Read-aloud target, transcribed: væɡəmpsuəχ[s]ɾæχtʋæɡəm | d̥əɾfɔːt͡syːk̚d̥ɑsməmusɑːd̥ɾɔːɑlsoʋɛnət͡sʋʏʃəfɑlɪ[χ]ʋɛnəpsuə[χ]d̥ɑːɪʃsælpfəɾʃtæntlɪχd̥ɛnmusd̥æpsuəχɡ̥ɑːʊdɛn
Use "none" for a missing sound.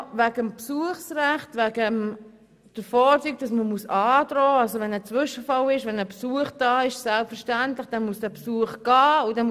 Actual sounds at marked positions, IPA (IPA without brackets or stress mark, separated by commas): s, ʃ, χ